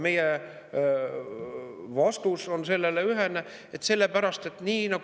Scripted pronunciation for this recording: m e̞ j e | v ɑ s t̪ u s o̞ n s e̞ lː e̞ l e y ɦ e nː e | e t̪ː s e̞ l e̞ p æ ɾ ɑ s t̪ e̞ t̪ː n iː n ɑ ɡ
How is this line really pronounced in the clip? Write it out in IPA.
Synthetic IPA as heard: m e̞ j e | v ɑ s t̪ u s o̞ n s e̞ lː e̞ l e y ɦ e n e | e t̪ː s e̞ lː e̞ p æ ɾ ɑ s t̪ e̞ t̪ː n iː n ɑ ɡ